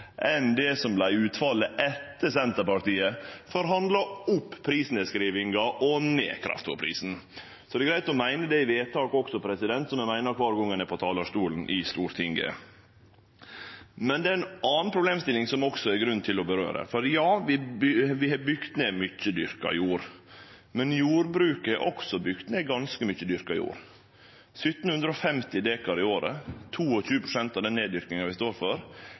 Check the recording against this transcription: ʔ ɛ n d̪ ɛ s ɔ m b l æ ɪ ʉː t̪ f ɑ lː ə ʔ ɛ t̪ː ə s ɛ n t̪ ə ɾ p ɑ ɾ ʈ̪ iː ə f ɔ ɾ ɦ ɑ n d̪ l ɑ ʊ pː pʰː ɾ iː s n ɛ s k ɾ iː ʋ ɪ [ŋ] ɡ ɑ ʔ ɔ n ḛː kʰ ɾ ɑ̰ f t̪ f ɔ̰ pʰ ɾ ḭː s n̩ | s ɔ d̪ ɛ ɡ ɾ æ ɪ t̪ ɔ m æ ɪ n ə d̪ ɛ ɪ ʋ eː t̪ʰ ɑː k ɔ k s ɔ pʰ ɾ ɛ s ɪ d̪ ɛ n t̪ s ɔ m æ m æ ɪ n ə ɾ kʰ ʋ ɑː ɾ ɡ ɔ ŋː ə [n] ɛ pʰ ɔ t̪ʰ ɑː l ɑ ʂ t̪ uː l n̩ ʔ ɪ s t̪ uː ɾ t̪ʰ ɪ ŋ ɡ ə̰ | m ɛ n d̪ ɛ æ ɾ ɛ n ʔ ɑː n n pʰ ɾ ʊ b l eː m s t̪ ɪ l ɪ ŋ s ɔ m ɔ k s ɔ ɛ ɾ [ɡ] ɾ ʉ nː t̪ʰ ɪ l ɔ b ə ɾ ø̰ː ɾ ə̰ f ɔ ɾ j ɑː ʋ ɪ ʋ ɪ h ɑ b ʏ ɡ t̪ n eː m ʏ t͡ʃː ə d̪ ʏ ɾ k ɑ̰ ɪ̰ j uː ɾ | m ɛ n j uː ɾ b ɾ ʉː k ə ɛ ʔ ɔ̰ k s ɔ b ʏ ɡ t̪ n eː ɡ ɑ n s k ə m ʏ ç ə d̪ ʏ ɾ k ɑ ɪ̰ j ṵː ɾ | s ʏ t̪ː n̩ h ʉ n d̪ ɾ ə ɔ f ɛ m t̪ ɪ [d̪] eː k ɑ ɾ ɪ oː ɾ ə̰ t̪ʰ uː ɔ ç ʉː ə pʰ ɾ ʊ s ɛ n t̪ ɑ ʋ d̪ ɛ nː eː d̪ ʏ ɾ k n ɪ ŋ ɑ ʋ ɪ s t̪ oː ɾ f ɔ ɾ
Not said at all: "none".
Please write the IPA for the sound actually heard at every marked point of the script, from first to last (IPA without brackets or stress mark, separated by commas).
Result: ŋ, n, ɡ, d̪